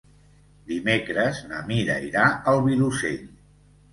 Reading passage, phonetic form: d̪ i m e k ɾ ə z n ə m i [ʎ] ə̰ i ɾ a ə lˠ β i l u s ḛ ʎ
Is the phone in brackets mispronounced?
yes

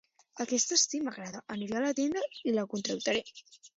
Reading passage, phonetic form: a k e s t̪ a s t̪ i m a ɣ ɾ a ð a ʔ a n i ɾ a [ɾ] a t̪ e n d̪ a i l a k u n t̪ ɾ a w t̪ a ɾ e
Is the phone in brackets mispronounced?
yes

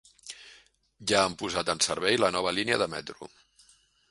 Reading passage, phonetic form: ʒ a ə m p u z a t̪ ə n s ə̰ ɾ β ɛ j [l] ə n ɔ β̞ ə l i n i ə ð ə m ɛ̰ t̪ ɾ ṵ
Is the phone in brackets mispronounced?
no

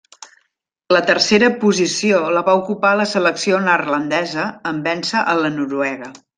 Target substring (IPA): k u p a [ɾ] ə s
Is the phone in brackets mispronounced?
yes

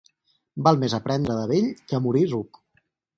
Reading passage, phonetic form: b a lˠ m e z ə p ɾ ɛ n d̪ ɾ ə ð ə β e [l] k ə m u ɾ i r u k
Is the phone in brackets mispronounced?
yes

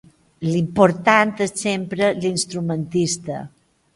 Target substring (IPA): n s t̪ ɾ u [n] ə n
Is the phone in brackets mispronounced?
yes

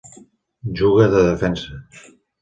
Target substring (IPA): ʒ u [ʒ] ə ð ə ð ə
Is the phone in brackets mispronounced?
yes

